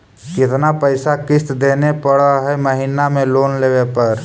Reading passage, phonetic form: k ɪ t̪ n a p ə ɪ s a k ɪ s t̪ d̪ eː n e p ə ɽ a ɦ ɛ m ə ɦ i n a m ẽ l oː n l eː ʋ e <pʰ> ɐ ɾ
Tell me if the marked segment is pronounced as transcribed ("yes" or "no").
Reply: no